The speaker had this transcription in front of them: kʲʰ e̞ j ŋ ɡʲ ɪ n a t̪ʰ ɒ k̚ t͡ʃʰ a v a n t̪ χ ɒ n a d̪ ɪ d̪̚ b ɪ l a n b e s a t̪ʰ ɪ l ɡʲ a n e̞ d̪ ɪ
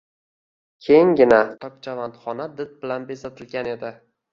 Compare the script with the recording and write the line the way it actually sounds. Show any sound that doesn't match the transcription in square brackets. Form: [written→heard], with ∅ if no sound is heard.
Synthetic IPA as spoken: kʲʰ e̞ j ŋ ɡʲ ɪ n a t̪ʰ ɒ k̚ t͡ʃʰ a v a n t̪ χ ɒ n a d̪ ɪ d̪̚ b ɪ l a n b e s a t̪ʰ ɪ l ɡʲ a n e̞ d̪ ɪ